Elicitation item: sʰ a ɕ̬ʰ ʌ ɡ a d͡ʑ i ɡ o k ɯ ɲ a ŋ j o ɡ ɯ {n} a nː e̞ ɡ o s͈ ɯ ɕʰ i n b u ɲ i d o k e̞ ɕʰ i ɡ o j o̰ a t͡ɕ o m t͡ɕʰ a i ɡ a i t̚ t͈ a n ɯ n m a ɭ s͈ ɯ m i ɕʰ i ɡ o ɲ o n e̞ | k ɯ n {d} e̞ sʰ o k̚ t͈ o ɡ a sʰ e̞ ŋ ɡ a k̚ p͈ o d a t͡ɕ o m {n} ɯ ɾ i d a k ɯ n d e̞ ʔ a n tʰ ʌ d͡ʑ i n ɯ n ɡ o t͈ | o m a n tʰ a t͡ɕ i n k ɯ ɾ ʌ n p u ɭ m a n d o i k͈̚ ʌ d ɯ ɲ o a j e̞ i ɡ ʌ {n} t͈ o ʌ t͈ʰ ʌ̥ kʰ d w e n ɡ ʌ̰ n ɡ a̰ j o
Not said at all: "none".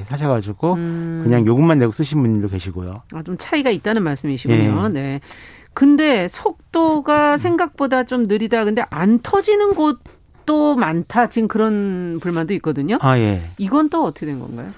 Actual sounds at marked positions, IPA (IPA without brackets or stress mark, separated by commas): m, d, n, n